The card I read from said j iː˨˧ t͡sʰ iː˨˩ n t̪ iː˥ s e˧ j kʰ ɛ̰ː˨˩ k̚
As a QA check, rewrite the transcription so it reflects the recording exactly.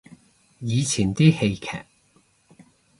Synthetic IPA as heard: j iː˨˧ t͡sʰ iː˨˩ n t̪ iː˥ h e˧ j kʰ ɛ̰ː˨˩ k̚